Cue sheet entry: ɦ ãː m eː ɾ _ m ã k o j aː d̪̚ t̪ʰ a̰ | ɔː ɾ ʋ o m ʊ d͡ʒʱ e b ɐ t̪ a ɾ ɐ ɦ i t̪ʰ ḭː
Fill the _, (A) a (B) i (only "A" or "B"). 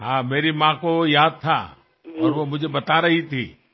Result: B